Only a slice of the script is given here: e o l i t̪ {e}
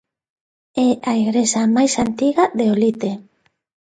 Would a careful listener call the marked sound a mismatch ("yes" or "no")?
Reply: no